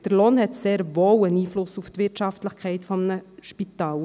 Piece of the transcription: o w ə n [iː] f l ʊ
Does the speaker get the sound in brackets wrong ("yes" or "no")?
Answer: no